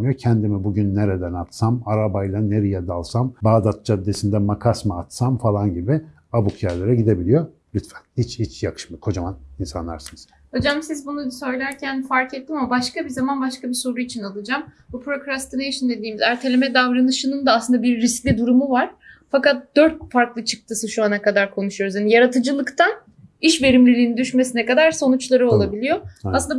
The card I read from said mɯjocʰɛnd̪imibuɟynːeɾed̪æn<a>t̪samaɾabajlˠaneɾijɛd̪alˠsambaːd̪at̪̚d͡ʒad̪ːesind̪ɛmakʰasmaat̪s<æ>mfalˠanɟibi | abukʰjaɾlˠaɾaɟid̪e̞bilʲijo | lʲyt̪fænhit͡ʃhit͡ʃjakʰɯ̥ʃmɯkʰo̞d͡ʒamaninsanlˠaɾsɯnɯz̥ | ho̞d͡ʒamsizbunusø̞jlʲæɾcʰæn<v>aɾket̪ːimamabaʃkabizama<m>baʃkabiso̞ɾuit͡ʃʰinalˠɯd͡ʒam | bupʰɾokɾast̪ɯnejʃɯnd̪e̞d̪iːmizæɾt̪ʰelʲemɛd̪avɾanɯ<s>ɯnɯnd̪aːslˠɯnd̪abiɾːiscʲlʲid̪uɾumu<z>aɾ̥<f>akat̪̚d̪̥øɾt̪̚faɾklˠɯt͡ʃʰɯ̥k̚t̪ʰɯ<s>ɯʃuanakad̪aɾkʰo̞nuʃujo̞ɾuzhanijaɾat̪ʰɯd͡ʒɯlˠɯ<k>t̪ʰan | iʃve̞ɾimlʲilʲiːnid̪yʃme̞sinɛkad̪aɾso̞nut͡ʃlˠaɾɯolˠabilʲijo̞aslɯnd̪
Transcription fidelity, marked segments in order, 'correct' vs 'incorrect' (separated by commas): correct, incorrect, incorrect, incorrect, incorrect, incorrect, correct, correct, correct